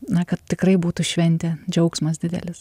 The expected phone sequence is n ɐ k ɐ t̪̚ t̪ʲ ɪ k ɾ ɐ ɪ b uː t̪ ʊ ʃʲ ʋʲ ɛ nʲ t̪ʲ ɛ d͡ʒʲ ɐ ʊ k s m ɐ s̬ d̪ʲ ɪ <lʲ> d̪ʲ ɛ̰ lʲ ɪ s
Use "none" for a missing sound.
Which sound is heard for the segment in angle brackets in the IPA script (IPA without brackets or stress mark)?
none